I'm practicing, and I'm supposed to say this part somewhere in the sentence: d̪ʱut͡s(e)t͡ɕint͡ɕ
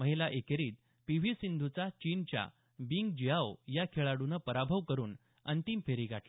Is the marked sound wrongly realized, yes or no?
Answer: yes